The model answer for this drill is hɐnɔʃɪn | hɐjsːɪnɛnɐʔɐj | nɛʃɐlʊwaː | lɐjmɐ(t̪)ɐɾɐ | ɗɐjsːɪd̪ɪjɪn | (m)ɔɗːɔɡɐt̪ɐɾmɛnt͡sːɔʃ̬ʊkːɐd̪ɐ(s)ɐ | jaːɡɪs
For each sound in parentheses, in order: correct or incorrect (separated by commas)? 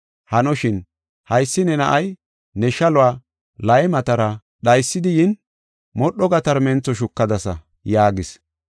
correct, correct, correct